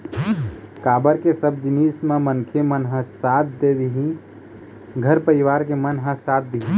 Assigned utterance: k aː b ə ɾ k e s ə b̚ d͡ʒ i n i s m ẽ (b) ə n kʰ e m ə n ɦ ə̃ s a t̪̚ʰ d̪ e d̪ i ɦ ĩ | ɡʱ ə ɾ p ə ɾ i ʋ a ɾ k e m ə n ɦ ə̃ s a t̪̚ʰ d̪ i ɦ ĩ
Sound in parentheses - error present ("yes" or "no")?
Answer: yes